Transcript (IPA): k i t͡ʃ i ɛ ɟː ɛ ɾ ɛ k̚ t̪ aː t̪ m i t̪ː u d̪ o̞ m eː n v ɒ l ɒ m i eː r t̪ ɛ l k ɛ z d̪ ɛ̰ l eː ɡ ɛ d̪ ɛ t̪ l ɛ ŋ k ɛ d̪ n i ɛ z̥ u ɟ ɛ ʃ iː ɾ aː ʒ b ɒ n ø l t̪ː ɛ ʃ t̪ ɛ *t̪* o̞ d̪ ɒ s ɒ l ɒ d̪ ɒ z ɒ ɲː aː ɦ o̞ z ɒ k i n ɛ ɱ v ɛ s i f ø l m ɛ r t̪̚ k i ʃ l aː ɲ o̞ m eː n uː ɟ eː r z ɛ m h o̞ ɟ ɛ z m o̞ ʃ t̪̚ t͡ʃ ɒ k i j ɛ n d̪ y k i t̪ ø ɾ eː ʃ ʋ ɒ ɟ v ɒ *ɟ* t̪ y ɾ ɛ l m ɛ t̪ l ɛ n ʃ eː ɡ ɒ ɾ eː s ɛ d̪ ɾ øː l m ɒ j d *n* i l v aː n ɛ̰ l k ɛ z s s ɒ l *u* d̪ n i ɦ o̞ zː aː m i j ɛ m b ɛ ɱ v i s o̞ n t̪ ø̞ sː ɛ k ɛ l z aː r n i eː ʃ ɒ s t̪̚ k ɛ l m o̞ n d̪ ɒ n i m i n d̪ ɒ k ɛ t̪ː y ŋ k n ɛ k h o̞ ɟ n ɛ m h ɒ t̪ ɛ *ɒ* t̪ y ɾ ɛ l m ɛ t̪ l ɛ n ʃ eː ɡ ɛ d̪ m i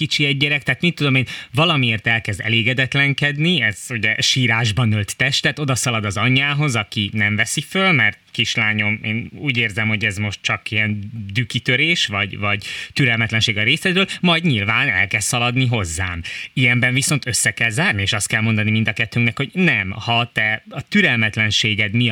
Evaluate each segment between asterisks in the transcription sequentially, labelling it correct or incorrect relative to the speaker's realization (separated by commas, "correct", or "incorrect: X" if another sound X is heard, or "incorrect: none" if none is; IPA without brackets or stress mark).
correct, correct, incorrect: ɲ, incorrect: ɒ, correct